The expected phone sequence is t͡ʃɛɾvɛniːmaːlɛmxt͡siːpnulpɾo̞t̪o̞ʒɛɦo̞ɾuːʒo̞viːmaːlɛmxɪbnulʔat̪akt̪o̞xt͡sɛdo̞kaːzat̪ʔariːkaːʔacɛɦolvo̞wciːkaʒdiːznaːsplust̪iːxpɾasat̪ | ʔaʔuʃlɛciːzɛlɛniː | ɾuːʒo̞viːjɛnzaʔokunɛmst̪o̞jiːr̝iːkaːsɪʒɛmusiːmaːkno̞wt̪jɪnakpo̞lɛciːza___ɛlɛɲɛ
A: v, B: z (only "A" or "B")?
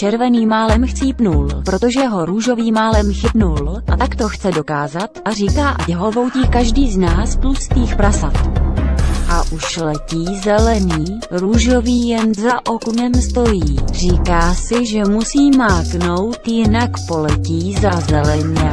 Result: B